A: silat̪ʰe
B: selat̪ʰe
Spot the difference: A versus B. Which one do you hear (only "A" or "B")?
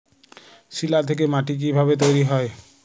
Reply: A